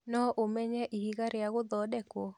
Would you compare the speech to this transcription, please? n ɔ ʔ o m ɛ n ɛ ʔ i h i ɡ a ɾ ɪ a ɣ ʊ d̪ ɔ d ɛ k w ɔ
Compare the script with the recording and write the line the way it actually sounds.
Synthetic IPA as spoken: n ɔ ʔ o m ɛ ɲ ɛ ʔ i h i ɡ a ɾ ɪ a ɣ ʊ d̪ ɔ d ɛ k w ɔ